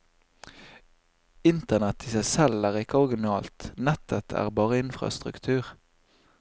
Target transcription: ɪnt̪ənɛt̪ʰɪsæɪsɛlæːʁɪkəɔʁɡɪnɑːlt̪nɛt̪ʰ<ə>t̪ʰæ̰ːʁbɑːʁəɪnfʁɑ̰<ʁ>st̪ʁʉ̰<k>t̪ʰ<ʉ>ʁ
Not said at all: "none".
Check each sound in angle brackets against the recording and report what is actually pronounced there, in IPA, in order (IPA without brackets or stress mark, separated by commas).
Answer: ə, none, k, ʉː